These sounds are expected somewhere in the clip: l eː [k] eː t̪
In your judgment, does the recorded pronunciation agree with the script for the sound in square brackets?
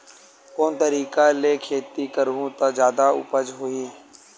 no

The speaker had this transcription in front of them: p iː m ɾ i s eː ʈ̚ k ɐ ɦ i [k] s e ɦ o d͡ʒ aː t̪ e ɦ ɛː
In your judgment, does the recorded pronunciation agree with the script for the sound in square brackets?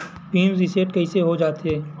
no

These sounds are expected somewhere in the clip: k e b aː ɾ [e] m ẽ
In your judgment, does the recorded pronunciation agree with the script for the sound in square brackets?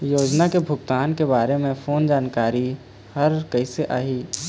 yes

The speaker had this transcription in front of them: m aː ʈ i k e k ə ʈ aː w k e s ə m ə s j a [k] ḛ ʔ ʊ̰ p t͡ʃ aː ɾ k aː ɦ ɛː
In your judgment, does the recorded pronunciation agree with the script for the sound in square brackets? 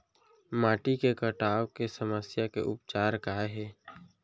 yes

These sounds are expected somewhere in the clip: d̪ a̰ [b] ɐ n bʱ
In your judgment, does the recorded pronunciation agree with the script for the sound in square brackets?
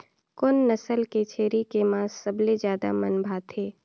no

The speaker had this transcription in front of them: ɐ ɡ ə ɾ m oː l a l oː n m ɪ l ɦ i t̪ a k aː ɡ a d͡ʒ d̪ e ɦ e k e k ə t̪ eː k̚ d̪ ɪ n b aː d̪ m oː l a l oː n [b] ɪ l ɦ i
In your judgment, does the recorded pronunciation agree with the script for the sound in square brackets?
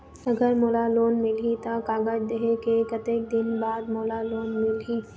no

